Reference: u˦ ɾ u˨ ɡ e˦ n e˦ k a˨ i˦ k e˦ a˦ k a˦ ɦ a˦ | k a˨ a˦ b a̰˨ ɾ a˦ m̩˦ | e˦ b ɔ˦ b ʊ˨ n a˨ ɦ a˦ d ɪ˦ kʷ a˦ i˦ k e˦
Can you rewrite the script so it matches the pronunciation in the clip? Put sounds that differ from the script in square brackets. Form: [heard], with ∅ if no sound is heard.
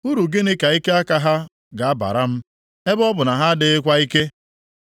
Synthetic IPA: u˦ ɾ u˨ ɡ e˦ n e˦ k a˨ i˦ k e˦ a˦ k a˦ ɦ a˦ | [ɡ] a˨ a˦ b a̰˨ ɾ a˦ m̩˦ | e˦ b ɔ˦ b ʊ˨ n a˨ ɦ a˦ d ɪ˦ kʷ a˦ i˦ k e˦